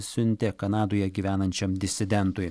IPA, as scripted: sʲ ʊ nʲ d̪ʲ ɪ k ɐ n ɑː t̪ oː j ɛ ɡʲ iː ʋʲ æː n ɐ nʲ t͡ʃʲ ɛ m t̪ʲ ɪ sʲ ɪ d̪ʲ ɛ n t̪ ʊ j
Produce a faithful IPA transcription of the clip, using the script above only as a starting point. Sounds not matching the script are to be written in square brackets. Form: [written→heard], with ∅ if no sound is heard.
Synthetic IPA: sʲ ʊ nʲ [d̪ʲ→t̪ʲ] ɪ k ɐ n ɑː [t̪→d̪] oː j ɛ ɡʲ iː ʋʲ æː n ɐ nʲ t͡ʃʲ ɛ m [t̪ʲ→d̪ʲ] ɪ sʲ ɪ d̪ʲ ɛ n t̪ ʊ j